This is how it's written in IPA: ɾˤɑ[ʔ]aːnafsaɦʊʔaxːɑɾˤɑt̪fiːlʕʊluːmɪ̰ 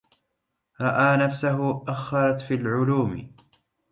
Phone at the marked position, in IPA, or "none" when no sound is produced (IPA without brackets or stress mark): ʔ